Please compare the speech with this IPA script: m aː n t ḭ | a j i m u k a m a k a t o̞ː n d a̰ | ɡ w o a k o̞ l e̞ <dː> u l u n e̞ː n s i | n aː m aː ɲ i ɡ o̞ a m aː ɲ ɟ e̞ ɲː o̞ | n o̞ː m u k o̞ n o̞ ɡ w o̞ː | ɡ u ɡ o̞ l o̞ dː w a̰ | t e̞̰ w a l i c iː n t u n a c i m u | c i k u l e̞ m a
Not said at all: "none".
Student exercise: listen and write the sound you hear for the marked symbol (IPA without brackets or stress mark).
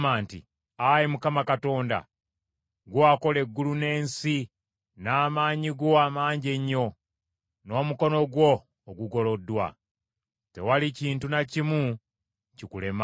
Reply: ɡː